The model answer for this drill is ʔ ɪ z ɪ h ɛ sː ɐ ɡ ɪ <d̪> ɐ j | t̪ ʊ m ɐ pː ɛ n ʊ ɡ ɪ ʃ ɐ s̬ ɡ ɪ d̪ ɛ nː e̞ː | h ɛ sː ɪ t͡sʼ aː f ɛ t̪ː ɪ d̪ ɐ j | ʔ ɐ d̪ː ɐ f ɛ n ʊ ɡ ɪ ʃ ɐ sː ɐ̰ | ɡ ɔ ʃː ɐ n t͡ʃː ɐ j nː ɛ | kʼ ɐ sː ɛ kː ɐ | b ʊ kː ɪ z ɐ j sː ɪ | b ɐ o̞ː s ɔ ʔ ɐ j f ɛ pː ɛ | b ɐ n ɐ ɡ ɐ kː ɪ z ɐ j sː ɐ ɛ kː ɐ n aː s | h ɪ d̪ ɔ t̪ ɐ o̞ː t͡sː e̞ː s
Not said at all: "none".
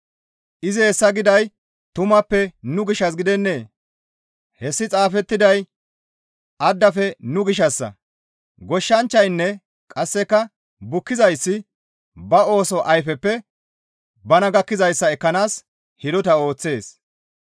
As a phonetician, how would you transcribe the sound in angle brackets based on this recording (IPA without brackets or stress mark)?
d̪